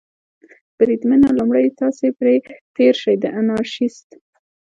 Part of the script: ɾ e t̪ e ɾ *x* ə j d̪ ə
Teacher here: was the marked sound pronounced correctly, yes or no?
no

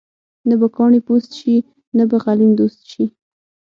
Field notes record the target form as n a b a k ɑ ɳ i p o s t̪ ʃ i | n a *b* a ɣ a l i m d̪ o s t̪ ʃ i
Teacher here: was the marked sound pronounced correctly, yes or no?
yes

